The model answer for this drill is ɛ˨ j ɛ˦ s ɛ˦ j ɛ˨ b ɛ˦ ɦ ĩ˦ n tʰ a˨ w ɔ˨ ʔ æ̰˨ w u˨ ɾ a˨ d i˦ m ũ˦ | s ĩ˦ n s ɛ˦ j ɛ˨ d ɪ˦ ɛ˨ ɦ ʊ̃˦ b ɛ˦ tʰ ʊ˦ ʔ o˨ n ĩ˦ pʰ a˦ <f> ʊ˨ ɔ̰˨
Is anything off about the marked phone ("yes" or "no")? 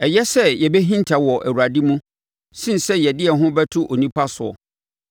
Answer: yes